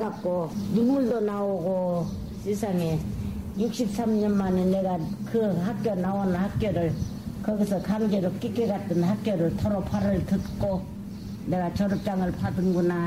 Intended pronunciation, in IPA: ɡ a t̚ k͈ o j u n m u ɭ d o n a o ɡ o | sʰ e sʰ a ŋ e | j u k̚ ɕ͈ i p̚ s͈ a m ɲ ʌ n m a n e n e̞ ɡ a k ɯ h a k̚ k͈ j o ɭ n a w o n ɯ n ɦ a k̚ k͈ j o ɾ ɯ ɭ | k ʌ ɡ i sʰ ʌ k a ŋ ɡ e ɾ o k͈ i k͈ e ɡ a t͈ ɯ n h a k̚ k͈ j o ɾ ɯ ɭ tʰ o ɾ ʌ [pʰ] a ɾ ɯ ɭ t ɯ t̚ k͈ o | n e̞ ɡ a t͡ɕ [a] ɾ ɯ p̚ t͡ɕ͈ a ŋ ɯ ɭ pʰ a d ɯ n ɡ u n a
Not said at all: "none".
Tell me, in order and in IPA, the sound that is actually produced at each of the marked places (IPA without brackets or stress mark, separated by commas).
pʰ, ʌ